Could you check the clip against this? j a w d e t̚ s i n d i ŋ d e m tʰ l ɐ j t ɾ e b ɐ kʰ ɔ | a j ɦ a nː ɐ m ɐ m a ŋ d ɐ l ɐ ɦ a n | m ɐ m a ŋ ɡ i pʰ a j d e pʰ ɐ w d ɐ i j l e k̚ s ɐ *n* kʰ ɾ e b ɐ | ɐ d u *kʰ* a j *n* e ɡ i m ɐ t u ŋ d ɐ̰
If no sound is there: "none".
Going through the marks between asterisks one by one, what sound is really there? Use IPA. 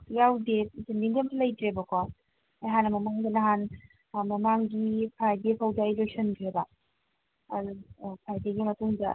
n, pʰ, d

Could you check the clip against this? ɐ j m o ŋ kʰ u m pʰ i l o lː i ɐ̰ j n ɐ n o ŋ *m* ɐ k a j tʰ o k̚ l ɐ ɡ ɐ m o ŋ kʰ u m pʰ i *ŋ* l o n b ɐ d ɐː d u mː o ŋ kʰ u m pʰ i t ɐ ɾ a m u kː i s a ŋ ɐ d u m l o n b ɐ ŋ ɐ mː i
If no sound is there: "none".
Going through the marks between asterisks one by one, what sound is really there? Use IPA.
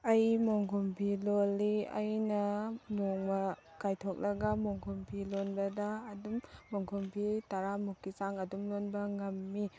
m, none

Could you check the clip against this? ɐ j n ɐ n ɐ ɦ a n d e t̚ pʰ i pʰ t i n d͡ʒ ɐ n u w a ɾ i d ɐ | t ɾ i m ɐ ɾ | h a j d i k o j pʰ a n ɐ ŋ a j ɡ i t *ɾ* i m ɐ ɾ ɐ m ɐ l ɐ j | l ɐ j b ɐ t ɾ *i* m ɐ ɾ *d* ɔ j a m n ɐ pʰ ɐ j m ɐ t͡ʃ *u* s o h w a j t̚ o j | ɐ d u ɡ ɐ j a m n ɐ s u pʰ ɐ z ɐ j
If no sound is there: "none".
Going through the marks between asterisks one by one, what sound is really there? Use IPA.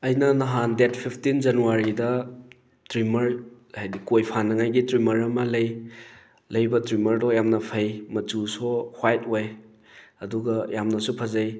ɾ, i, d, u

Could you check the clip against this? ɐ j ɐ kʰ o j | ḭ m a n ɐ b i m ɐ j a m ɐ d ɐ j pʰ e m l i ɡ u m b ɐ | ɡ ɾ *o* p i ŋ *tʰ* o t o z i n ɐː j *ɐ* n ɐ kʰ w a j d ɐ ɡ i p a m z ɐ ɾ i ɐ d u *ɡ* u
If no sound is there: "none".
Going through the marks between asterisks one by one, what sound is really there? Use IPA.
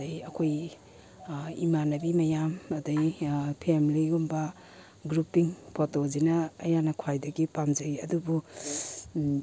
u, pʰ, a, b

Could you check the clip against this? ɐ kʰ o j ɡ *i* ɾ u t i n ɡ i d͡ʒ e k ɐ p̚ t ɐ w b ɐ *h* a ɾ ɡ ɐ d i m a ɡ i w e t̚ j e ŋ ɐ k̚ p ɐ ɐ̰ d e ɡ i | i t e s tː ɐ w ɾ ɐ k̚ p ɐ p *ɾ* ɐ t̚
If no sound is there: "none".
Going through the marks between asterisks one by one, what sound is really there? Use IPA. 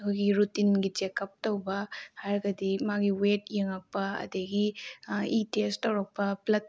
i, h, l

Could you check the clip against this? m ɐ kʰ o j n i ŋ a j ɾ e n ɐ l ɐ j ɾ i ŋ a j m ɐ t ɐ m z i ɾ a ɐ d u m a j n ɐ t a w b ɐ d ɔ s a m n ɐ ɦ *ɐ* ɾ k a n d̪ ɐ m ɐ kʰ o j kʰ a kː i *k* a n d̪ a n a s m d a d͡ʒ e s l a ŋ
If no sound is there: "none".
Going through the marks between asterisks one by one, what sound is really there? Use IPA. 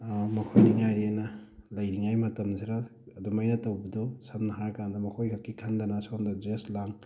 a, kʰ

